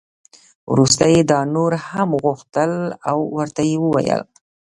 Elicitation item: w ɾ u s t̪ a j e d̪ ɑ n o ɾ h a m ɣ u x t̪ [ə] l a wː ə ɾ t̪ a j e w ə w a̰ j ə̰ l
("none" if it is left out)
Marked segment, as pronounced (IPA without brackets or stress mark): ə